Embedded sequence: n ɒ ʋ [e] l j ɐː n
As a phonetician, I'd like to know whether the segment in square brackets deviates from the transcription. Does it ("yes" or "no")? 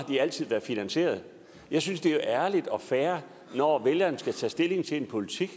no